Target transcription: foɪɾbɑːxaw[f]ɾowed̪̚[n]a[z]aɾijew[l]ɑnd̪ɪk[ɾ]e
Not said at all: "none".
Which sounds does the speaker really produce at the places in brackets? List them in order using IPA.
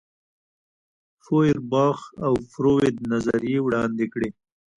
f, n, z, ɽ, ɽ

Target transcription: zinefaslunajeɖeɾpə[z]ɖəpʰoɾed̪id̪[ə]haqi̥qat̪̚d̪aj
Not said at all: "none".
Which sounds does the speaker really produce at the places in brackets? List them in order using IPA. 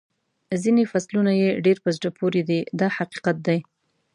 z, ɑ

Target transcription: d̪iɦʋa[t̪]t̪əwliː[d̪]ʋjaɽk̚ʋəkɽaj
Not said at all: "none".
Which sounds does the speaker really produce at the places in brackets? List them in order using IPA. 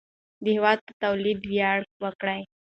t̪, d̪

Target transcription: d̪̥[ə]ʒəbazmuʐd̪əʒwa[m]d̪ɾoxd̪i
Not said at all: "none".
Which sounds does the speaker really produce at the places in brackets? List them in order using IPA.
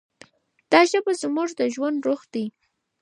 ɑ, n

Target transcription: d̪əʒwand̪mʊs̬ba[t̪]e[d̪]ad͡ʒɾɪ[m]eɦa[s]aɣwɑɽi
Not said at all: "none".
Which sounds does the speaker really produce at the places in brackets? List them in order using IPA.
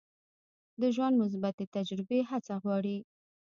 t̪, t̪, b, t͡s

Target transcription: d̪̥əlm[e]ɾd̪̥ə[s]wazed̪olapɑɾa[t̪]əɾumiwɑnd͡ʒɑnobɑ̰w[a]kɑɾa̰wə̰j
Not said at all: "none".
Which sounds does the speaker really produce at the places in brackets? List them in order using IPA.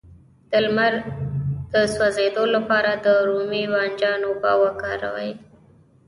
a, s, d̪, a

